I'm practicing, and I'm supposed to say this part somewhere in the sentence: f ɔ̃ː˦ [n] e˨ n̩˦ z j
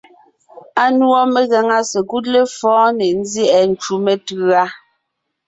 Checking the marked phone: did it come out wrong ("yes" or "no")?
no